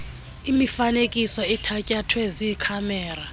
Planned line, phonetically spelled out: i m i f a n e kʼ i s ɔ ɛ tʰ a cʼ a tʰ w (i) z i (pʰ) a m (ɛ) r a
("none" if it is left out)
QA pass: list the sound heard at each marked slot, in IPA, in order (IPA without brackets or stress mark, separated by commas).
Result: ɛ, kʰ, ɛː